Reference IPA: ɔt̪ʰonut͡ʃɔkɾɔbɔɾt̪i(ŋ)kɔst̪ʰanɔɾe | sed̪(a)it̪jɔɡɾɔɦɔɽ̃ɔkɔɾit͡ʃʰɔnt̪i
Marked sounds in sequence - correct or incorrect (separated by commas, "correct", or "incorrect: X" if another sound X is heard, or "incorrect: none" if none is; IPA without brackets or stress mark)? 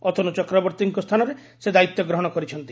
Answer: correct, correct